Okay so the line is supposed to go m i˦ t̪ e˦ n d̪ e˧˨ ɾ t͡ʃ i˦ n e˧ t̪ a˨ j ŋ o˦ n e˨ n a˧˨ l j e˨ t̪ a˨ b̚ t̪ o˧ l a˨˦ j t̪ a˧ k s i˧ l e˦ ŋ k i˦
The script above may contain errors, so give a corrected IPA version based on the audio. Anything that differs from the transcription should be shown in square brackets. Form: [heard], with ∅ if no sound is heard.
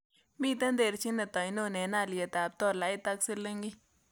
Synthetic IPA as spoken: m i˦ t̪ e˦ n d̪ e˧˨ ɾ t͡ʃ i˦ n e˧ t̪ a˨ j [n] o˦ n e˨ n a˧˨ l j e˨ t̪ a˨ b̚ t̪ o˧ l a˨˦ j t̪ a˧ k s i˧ l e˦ ŋ [ɡ] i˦